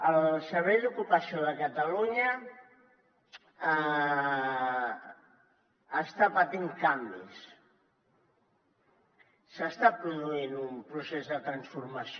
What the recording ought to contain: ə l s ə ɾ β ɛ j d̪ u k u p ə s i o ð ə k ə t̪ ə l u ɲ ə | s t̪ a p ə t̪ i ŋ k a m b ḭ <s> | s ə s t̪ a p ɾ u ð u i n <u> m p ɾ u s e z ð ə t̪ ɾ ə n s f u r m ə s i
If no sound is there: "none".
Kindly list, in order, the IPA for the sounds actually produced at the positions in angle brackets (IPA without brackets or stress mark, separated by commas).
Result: s, u